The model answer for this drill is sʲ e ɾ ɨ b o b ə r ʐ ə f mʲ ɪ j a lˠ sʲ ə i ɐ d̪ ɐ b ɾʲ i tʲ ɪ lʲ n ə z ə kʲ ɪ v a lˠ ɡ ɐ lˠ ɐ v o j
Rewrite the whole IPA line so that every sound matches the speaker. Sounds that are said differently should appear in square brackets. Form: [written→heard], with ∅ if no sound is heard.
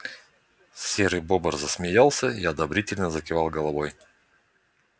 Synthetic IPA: sʲ e ɾ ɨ b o b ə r [ʐ→z] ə [f→s] mʲ ɪ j a lˠ sʲ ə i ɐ d̪ ɐ b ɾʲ i tʲ ɪ lʲ n ə z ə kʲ ɪ v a lˠ ɡ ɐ lˠ ɐ v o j